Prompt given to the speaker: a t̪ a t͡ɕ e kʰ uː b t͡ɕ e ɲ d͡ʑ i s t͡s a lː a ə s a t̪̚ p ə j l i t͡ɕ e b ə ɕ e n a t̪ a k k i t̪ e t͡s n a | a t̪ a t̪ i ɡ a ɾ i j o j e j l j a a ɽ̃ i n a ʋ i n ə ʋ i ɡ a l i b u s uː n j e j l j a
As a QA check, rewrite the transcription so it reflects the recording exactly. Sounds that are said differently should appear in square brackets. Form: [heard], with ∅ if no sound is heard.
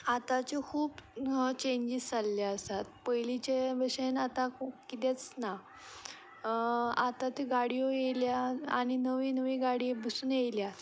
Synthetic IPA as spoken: a t̪ a t͡ɕ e kʰ uː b t͡ɕ e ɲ d͡ʑ i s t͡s a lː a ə s a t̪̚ p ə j l i t͡ɕ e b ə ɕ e n a t̪ a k k i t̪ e t͡s n a | a t̪ a t̪ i ɡ a [ɽ] i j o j e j l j a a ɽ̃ i n [ə] ʋ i n ə ʋ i ɡ a [ɽ] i b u s uː n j e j l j a